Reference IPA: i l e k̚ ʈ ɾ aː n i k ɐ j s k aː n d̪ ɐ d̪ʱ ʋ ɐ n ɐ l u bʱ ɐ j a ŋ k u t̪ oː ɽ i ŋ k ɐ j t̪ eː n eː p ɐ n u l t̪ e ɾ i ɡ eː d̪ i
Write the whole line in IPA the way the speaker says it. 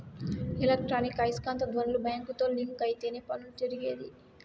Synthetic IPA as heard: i l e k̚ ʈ ɾ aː n i k ɐ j s k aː n t̪ ɐ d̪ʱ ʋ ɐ n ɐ l u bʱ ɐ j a ŋ k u t̪ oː l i ŋ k ɐ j t̪ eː n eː p ɐ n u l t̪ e ɾ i ɡ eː d̪ i